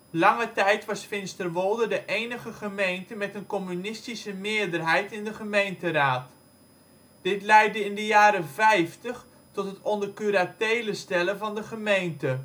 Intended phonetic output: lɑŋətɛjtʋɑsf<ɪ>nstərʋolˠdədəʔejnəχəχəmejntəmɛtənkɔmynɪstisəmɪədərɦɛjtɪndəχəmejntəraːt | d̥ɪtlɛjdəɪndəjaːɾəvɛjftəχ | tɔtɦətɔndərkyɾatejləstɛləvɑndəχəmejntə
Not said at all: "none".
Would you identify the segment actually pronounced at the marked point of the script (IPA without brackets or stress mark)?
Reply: ɪ